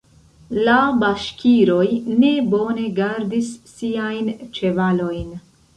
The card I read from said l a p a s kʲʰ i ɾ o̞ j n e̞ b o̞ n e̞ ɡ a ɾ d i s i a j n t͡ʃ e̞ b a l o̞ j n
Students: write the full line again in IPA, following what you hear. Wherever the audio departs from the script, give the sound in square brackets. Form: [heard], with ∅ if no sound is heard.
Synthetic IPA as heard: l a [b] a [ʃ] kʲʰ i ɾ o̞ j n e̞ b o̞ n e̞ ɡ a ɾ d i [sː] i a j n t͡ʃ e̞ [v] a l o̞ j n